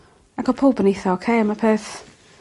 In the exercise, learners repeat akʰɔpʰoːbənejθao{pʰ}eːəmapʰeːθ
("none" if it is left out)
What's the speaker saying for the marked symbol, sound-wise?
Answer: kʰ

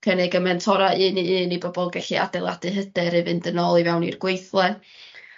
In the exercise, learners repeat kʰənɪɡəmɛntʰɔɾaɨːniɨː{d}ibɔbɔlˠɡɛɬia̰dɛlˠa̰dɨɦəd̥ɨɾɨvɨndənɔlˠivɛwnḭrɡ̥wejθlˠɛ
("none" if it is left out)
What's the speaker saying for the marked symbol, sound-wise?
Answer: n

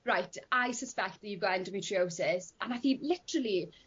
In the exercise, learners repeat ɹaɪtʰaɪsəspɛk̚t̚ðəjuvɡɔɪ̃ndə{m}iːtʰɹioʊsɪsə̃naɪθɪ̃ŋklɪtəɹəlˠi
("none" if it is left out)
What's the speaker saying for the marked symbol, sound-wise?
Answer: m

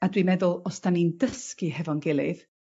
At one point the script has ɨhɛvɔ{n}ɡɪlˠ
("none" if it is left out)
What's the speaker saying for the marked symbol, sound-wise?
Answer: n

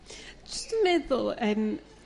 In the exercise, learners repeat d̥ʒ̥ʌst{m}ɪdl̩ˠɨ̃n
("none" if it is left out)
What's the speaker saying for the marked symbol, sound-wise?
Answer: m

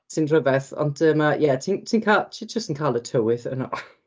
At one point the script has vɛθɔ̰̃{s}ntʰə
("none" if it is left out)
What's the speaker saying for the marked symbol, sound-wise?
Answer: none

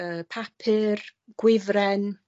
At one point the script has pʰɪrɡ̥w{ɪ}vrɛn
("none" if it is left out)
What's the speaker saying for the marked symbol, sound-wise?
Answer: ɪ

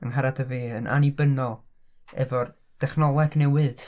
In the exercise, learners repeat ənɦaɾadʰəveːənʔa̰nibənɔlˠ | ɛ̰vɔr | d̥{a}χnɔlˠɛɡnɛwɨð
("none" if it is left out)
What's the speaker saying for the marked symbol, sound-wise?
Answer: ɛ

